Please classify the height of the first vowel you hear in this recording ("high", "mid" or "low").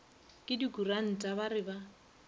high